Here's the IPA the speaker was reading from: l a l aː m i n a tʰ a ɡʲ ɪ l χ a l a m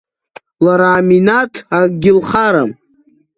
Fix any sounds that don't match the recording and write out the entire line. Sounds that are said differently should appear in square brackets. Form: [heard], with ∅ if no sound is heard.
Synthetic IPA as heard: l a [ɾ] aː m i n a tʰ a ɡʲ ɪ l χ a [ɾ] a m